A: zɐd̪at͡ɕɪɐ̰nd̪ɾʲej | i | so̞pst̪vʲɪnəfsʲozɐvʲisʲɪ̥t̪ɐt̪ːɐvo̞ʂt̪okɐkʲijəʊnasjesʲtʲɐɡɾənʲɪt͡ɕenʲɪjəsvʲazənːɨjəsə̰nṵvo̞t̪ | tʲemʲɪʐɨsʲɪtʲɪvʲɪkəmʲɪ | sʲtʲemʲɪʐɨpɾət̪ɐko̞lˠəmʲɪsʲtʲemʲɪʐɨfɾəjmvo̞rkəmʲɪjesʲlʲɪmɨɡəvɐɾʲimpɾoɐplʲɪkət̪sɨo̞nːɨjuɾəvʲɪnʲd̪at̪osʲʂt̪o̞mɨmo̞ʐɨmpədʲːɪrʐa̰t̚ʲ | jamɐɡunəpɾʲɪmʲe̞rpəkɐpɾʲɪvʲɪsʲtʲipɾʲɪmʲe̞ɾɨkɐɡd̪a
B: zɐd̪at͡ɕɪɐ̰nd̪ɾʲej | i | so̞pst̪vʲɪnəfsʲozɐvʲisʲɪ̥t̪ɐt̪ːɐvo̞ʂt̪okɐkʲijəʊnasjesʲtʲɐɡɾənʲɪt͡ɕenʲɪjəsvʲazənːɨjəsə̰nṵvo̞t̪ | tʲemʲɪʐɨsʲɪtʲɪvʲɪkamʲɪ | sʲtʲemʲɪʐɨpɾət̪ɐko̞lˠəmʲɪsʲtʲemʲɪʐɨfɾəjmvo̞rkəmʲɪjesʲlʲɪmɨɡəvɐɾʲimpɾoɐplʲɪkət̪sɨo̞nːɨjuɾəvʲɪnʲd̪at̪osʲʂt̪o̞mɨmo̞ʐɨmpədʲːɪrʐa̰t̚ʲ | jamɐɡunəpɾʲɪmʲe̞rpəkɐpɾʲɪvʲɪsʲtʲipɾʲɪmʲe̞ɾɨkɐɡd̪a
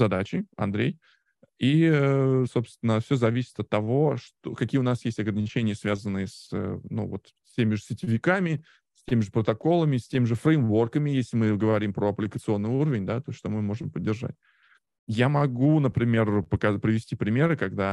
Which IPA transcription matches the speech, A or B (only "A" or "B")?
B